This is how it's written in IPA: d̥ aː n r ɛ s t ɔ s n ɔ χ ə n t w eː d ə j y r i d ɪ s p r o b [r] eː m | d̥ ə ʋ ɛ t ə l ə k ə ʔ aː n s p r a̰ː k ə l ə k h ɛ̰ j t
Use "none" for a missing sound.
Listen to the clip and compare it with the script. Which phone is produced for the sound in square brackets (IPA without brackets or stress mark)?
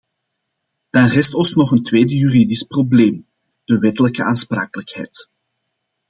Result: l